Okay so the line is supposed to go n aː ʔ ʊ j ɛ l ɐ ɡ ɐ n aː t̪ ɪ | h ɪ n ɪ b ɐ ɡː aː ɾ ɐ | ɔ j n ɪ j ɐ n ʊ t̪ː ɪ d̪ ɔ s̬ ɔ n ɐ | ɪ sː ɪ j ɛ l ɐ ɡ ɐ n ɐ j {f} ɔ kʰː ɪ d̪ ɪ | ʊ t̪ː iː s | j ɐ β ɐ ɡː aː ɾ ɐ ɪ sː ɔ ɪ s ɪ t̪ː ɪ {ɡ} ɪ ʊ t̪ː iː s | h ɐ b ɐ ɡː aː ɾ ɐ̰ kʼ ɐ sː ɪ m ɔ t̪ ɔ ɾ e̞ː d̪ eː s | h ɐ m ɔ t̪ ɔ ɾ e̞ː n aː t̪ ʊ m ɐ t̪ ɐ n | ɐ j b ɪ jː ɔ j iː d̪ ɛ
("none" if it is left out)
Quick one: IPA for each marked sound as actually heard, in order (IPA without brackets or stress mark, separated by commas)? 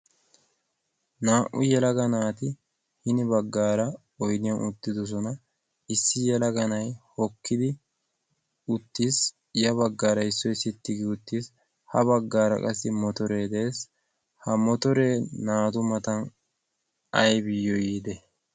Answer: h, ɡ